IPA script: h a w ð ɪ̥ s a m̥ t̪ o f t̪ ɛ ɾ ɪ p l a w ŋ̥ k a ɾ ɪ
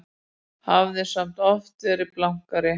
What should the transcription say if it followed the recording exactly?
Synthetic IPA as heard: h a v ð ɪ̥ s a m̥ t̪ ɔ f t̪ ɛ ɾ ɪ p l a w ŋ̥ k a ɾ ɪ